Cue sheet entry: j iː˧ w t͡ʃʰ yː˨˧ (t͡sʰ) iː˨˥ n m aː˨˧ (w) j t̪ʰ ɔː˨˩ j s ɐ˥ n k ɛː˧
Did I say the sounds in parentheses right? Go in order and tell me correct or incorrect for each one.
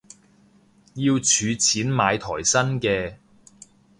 correct, incorrect

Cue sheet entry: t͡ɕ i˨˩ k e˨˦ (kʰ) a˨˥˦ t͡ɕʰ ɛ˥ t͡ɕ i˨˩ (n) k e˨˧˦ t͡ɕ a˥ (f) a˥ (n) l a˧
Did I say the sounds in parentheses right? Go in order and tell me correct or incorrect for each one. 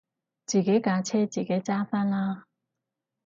incorrect, incorrect, correct, correct

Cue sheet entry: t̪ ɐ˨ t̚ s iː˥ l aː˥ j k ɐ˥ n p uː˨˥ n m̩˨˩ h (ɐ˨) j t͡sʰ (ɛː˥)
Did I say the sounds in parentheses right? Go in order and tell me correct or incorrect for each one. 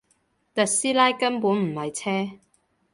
correct, correct

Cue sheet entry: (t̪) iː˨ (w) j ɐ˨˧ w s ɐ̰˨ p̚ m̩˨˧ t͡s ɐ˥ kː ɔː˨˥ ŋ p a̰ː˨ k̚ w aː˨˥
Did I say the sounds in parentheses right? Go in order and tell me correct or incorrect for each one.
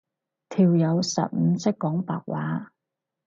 incorrect, correct

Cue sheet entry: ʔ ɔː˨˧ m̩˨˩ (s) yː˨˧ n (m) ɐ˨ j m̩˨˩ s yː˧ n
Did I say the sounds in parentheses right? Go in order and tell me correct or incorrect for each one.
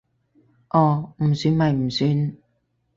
correct, correct

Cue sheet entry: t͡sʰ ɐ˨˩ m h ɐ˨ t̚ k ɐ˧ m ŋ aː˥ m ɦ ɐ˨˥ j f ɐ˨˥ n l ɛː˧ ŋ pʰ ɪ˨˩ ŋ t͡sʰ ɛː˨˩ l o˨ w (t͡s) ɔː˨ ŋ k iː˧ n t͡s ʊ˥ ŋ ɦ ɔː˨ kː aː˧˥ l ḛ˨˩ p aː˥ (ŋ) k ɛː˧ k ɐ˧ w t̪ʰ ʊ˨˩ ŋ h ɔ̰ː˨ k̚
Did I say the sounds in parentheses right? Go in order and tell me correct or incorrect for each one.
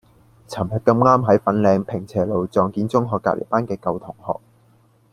correct, incorrect

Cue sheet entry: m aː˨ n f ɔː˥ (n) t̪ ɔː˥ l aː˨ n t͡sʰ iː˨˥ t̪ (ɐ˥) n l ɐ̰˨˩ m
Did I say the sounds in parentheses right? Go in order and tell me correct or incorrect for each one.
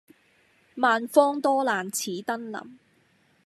incorrect, correct

